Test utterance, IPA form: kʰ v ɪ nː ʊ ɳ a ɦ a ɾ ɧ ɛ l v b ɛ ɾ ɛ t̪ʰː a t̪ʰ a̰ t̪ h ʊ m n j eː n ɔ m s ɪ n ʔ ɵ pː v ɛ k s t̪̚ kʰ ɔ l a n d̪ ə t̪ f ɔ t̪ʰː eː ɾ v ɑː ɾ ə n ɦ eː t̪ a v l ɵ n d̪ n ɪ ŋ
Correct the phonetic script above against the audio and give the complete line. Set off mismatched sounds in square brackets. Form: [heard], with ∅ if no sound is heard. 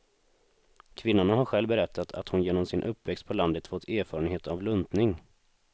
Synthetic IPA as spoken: kʰ v ɪ nː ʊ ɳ a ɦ a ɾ ɧ ɛ l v b ɛ ɾ ɛ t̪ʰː a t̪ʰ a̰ t̪ h ʊ [∅] n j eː n ɔ m s ɪ n ʔ ɵ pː v ɛ k s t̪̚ [pʰ] ɔ l a n d̪ ə t̪ f ɔ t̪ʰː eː ɾ [f] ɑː ɾ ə n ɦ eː t̪ a v l ɵ n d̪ n ɪ ŋ